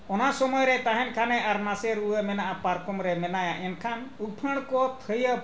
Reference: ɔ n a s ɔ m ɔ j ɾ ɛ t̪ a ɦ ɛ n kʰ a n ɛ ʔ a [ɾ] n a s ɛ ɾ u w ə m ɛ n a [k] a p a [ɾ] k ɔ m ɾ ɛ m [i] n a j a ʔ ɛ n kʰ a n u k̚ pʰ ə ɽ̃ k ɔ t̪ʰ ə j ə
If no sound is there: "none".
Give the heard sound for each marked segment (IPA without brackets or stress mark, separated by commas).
ɾ, ʔ, ɾ, ɛ